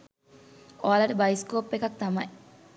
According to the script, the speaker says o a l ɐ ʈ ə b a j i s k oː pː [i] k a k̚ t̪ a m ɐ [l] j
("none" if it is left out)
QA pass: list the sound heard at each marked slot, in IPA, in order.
e, none

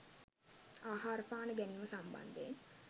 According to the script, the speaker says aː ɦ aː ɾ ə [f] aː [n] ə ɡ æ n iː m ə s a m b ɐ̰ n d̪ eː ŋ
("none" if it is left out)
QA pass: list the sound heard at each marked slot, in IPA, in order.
f, n

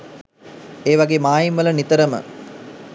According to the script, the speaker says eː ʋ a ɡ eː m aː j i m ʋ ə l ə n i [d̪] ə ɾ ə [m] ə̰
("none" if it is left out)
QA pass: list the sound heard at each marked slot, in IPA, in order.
t̪, m

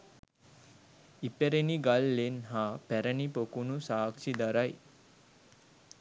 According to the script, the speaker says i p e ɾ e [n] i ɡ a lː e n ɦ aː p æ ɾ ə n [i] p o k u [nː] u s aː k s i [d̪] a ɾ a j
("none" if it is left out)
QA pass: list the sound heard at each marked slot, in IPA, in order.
n, i, n, d̪

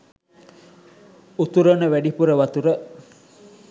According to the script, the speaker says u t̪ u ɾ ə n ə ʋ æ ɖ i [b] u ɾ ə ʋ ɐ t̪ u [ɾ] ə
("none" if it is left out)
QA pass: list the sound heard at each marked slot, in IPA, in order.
p, ɾ

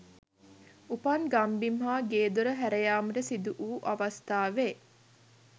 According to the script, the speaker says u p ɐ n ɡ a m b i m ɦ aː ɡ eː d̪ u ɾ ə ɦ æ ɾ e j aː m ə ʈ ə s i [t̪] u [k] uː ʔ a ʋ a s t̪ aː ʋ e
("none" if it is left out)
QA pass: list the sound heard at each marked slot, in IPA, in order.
d̪, ʔ

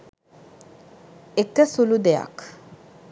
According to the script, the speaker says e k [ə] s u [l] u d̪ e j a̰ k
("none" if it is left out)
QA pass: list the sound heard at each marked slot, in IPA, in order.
ə, l

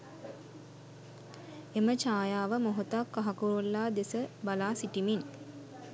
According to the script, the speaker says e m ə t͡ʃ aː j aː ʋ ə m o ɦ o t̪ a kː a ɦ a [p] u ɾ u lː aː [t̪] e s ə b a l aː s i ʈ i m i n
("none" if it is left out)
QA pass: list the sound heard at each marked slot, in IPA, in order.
k, d̪

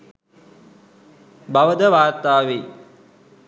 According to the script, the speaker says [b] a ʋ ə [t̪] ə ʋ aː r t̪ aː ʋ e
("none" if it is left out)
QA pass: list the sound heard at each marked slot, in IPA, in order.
b, d̪

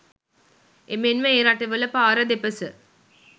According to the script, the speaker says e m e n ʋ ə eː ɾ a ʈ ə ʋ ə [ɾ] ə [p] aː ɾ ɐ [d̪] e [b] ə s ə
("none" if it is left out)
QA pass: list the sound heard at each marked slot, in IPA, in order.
l, p, d̪, p

